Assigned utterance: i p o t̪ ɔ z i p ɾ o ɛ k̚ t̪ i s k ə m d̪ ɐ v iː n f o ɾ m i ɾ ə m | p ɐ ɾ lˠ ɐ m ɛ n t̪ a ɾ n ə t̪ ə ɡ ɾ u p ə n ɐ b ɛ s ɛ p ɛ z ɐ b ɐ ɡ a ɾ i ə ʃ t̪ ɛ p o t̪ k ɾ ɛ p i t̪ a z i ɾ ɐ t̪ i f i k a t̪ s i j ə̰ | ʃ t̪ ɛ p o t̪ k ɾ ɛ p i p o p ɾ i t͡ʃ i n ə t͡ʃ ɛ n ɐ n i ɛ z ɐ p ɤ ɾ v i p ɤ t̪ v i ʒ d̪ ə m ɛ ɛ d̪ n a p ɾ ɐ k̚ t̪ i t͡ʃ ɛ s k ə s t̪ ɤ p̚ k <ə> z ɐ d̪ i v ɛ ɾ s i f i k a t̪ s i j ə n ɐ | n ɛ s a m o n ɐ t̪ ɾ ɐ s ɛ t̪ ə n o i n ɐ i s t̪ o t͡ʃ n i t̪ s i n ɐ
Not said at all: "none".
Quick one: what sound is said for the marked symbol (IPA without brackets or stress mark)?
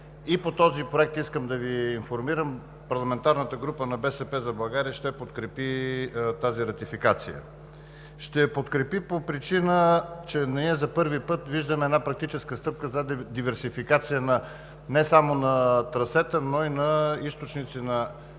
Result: ə